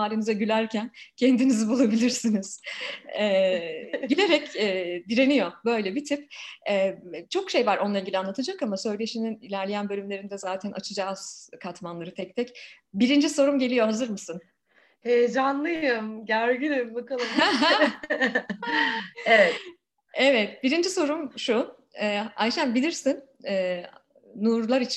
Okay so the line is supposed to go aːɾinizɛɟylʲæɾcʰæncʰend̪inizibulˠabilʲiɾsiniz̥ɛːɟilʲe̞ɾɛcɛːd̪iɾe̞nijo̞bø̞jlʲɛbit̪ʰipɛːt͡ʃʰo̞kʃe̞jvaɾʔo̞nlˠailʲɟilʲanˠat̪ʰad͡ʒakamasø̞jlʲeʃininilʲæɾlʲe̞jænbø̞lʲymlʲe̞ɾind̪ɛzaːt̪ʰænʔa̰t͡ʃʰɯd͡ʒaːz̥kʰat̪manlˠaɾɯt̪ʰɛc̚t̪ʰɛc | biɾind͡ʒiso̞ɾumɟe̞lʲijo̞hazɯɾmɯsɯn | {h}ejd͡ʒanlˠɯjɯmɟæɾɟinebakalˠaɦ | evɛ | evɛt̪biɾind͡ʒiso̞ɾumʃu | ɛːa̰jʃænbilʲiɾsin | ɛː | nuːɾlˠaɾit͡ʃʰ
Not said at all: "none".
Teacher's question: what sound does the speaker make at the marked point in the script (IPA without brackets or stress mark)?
h